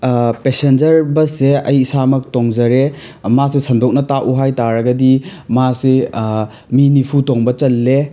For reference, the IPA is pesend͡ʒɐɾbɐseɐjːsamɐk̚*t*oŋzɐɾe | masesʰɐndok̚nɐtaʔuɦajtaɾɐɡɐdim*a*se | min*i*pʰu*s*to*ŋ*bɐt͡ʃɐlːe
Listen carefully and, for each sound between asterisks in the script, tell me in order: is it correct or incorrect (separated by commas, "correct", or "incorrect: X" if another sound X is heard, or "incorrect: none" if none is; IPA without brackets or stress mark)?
correct, correct, correct, incorrect: none, correct